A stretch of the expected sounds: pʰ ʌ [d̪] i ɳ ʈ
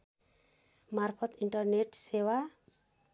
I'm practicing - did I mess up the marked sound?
yes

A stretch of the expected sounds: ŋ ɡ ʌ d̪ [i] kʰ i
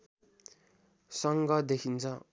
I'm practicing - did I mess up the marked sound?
yes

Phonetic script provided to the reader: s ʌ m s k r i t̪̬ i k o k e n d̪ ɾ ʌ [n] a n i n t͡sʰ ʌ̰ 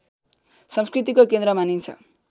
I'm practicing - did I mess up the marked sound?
yes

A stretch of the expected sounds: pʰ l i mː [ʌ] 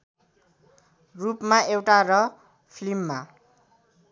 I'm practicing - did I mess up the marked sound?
yes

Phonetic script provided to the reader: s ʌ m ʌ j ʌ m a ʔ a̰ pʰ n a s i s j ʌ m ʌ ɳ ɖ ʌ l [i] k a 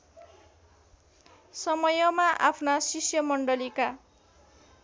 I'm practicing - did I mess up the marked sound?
no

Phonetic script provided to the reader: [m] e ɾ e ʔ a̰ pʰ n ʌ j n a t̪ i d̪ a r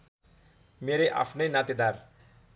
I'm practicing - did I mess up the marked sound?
no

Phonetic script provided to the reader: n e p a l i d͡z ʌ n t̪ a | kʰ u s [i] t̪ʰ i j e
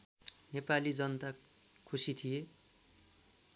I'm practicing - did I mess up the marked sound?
no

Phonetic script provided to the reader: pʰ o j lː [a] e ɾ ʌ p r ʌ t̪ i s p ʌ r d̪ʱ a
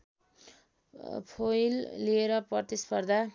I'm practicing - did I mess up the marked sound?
yes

